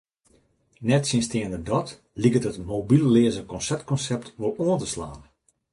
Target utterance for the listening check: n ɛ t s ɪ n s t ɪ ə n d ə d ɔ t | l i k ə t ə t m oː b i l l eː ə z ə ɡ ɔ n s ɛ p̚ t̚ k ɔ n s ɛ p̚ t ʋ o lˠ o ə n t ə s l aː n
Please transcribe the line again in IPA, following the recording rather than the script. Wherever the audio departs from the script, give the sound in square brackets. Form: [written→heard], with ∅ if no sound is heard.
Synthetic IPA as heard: n ɛ t s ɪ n s t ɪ ə n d ə d ɔ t | l i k ə t ə t m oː b i l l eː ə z ə [ɡ→k] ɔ n s ɛ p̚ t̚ k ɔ n s ɛ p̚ t ʋ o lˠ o ə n t ə s l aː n